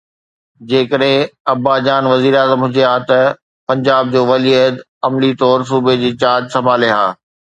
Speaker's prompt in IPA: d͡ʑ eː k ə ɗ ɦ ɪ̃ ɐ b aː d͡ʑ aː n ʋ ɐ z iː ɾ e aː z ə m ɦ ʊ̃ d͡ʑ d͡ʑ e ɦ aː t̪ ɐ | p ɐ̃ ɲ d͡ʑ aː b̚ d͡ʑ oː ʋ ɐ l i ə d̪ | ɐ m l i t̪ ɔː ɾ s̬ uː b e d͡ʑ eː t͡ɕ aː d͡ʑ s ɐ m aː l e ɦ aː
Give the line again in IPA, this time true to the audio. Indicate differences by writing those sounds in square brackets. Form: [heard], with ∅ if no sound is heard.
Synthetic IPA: d͡ʑ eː k ə ɗ ɦ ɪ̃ ɐ b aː d͡ʑ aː n ʋ ɐ z iː ɾ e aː z ə m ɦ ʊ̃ d͡ʑ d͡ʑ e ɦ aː t̪ ɐ | p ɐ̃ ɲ d͡ʑ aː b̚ d͡ʑ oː ʋ ɐ l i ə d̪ | ɐ m l i t̪ ɔː ɾ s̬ uː b e d͡ʑ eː t͡ɕ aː d͡ʑ s ɐ m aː l e ɦ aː